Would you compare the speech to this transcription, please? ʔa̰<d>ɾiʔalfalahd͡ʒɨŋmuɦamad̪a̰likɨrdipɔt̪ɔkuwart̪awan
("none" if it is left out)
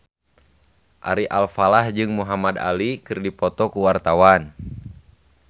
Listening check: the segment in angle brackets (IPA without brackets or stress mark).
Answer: none